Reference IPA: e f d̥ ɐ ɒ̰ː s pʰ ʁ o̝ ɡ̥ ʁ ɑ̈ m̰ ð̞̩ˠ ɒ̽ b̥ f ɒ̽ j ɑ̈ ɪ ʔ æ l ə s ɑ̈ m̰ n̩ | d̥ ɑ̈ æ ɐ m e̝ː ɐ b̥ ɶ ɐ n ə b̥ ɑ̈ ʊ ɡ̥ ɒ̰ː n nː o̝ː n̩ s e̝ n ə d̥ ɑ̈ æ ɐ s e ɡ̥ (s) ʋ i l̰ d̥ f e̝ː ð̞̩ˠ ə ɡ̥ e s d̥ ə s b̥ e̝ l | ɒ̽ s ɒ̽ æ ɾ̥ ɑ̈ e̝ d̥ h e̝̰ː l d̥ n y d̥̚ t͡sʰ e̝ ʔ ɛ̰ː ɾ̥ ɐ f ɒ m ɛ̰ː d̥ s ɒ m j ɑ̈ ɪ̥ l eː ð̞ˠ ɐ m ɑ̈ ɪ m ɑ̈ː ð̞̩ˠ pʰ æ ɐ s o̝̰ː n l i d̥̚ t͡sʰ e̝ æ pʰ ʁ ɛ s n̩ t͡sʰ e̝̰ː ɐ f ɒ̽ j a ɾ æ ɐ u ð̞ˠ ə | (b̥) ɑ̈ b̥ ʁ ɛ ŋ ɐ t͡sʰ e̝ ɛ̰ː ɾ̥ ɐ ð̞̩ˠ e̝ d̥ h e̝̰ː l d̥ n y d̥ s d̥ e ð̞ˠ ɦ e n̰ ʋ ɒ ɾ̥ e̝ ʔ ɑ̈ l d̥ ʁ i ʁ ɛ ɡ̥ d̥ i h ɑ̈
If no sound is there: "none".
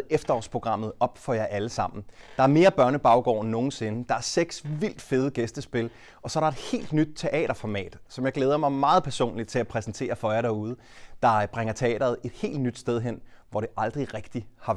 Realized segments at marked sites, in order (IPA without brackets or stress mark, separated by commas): s, d̥